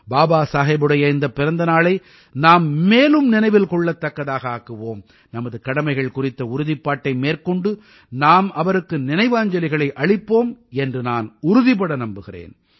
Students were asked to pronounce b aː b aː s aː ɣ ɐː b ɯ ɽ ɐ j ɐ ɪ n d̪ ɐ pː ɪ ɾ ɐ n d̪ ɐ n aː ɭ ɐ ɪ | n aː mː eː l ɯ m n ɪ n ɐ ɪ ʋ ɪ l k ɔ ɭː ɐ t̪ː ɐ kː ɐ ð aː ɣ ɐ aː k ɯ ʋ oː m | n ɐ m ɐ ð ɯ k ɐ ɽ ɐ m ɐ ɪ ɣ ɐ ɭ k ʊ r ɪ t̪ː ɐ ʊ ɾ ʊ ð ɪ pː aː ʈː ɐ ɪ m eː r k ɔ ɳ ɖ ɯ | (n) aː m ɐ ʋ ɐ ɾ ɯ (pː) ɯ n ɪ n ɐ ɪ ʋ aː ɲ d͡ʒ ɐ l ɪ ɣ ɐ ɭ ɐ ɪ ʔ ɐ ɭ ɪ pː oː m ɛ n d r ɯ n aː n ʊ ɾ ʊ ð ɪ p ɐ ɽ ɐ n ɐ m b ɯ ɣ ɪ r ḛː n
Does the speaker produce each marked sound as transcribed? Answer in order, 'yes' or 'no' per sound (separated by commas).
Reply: yes, no